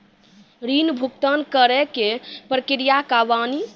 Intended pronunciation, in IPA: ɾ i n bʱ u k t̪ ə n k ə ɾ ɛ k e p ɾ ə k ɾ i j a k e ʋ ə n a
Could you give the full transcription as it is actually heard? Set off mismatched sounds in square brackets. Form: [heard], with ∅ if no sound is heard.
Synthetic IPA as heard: ɾ i n bʱ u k t̪ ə n k ə ɾ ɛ k e p ɾ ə k ɾ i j a k [a] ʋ [a] n [i]